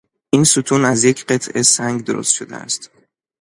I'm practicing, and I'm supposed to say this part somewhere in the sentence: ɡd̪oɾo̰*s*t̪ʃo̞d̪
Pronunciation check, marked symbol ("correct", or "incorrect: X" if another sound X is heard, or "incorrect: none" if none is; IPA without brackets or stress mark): correct